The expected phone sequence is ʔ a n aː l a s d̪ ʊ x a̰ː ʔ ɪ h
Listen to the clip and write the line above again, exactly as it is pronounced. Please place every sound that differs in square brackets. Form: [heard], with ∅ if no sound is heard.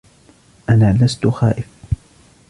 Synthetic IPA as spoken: ʔ a n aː l a s [t̪] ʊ x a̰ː ʔ ɪ [f]